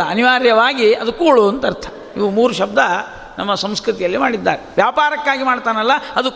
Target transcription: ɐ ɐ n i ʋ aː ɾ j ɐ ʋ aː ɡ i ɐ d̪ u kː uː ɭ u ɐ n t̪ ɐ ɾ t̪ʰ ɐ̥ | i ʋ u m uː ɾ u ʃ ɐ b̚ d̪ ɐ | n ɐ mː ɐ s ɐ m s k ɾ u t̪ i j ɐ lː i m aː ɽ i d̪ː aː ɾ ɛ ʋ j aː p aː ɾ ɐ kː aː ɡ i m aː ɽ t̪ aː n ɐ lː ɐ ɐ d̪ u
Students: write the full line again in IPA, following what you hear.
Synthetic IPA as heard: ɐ ɐ n i ʋ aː ɾ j ɐ ʋ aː ɡ i ɐ d̪ u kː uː ɭ u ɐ n t̪ ɐ ɾ t̪ʰ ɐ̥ | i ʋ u m uː ɾ u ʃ ɐ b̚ d̪ ɐ | n ɐ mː ɐ s ɐ m s k ɾ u t̪ i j ɐ lː i m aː ɽ i d̪ː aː ɾ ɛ ʋ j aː p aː ɾ ɐ kː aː ɡ i m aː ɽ t̪ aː n ɐ lː ɐ ɐ d̪ u